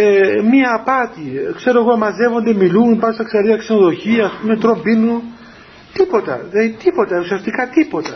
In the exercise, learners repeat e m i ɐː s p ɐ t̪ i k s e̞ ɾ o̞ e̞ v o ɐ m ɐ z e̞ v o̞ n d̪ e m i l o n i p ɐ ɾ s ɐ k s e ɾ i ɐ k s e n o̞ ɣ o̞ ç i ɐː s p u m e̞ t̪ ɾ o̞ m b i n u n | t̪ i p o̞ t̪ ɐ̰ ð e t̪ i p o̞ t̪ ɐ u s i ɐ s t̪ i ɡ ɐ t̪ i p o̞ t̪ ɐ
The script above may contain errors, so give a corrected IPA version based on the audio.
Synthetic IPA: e m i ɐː p ɐ t̪ i k s e̞ ɾ o̞ e̞ ɣ o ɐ m ɐ z e̞ v o̞ n d̪ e m i l u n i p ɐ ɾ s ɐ k s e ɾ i ɐ k s e n o̞ ð o̞ ç i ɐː s p u m e̞ t̪ ɾ o̞ m b i n u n | t̪ i p o̞ t̪ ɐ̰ ð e t̪ i p o̞ t̪ ɐ u s i ɐ s t̪ i k ɐ t̪ i p o̞ t̪ ɐ